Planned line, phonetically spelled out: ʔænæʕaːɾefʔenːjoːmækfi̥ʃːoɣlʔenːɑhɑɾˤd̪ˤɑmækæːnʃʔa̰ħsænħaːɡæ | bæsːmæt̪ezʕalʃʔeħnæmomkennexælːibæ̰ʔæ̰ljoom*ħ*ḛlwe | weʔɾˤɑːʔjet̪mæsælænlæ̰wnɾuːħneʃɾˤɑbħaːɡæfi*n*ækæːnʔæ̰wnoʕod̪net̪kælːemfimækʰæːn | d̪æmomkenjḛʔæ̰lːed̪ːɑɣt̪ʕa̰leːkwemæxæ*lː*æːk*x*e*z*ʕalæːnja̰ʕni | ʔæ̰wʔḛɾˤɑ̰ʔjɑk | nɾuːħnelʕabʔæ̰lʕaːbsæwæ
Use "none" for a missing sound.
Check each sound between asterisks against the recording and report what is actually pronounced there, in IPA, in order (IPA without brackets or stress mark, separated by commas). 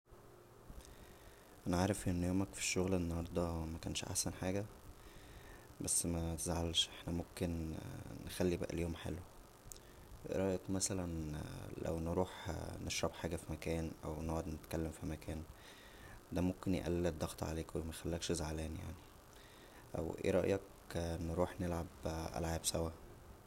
ħ, m, lː, ʃ, z